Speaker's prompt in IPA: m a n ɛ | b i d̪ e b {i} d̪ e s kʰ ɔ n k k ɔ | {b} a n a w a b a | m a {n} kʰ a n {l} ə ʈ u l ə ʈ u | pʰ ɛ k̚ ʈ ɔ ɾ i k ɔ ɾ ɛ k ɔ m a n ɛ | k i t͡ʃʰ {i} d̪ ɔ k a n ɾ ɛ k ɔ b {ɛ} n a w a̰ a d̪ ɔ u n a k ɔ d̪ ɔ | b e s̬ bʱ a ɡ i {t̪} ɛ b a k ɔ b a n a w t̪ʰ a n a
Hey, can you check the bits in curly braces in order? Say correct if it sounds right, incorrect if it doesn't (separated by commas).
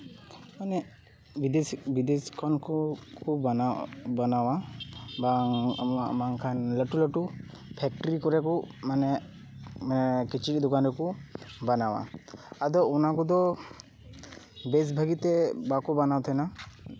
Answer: correct, correct, incorrect, correct, correct, incorrect, correct